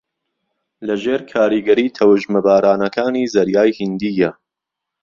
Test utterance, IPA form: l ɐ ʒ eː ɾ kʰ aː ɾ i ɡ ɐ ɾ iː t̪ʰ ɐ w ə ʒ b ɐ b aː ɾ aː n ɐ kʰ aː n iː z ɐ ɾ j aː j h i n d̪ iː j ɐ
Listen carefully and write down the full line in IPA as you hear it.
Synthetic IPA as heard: l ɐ ʒ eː ɾ kʰ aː ɾ i ɡ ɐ ɾ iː t̪ʰ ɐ w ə ʒ m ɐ b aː ɾ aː n ɐ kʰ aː n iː z ɐ ɾ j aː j h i n d̪ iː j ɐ